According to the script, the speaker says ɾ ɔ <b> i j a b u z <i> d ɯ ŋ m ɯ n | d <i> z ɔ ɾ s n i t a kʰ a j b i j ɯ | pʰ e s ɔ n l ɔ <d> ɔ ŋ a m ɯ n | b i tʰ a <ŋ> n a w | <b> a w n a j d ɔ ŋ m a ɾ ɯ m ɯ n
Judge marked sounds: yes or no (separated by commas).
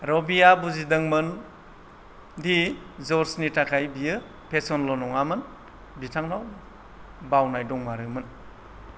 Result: yes, yes, yes, no, yes, yes